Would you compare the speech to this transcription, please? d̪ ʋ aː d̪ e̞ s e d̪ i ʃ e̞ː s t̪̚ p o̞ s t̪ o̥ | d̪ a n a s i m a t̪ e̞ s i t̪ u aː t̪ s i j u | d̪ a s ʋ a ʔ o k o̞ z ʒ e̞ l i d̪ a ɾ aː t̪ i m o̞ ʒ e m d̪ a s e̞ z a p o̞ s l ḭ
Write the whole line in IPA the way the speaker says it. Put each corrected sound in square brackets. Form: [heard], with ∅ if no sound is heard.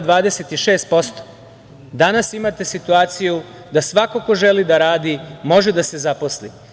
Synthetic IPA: d̪ ʋ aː d̪ e̞ s e [t̪] i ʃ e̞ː s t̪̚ p o̞ s t̪ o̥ | d̪ a n a s i m a t̪ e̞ s i t̪ u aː t̪ s i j u | d̪ a s ʋ a [k] o k o̞ [∅] ʒ e̞ l i d̪ a ɾ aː [d̪] i m o̞ ʒ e [∅] d̪ a s e̞ z a p o̞ s l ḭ